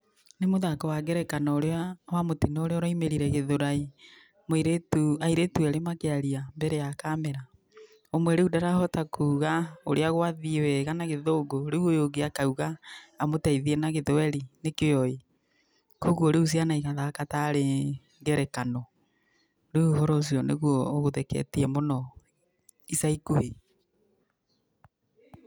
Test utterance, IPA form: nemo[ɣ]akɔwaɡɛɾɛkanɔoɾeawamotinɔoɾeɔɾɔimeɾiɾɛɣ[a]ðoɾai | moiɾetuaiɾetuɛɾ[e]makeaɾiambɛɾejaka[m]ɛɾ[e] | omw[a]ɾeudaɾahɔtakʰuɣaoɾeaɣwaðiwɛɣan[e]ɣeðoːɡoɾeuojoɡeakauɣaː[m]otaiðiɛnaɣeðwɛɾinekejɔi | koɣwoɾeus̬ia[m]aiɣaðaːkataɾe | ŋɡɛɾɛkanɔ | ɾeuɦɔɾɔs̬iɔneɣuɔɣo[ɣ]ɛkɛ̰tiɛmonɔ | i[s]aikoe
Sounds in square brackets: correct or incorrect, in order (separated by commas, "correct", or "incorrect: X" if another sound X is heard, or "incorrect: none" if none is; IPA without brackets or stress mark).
incorrect: ð, incorrect: e, correct, correct, incorrect: a, incorrect: ɛ, incorrect: a, correct, incorrect: n, incorrect: ð, correct